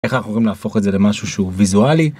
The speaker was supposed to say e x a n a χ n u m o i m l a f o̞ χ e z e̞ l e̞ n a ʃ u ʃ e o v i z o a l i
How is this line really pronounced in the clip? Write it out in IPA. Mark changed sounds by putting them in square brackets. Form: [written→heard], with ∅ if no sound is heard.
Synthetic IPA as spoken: e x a n a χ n u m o i m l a f o̞ χ e z e̞ l e̞ [n→m] a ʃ u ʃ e [o→u] v i z [o→u] a l i